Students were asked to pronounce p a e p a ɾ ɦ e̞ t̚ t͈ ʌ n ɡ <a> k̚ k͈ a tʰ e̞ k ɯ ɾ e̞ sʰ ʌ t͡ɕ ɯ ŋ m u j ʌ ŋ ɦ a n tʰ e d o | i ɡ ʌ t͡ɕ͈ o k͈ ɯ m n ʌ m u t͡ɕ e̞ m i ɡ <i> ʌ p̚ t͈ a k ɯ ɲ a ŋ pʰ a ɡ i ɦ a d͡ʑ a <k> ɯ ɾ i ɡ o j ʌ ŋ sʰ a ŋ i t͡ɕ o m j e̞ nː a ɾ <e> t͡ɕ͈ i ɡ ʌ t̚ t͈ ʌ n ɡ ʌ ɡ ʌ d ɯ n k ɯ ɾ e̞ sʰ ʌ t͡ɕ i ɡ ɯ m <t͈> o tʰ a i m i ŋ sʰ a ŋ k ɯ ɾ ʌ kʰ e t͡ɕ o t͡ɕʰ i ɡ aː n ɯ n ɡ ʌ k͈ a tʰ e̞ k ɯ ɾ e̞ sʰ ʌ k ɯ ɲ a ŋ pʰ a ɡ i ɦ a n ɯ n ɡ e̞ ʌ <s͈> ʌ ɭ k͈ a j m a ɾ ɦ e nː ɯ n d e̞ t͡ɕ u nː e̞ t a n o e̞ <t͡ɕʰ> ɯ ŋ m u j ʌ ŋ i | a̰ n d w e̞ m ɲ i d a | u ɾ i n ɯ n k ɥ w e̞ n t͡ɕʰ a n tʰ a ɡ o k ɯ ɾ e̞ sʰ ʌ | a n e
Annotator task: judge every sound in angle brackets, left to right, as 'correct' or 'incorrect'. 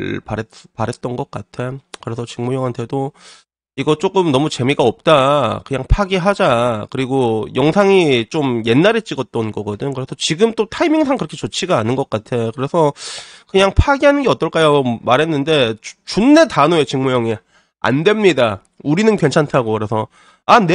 incorrect: ʌ, incorrect: a, correct, correct, correct, incorrect: t͈, incorrect: t͡ɕ

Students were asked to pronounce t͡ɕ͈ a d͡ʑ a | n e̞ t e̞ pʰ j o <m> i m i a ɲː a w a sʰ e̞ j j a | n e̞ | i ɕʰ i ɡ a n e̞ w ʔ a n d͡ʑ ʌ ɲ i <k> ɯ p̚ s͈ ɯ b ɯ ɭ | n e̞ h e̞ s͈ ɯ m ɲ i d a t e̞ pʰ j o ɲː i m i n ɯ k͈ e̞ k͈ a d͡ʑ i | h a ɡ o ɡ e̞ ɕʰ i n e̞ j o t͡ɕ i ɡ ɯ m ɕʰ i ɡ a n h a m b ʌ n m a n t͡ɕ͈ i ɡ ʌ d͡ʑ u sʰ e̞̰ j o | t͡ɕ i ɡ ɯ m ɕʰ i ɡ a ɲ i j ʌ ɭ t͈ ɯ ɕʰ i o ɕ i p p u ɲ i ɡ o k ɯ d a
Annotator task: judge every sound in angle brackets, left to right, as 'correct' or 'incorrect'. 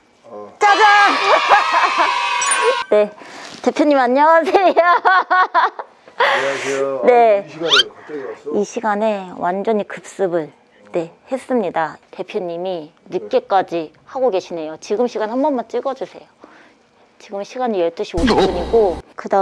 incorrect: ɲ, correct

